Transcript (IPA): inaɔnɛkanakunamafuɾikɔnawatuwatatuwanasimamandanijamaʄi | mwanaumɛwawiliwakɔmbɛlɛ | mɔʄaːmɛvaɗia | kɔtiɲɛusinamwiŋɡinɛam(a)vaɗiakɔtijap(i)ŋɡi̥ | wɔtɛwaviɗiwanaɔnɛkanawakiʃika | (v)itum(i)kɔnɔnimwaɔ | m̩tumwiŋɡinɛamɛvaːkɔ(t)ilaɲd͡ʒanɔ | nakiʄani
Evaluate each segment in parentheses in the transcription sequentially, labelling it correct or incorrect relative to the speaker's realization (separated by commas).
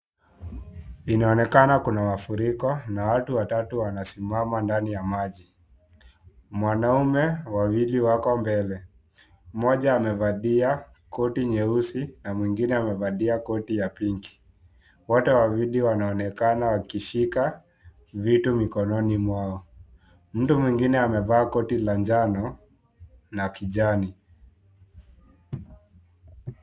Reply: incorrect, correct, correct, correct, correct